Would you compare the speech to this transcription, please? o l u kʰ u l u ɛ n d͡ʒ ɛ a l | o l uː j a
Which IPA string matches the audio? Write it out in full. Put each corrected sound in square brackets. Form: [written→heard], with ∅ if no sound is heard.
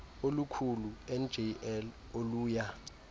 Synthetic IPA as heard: o l u kʰ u l u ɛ n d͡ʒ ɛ [a→ɛ] l | o l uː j a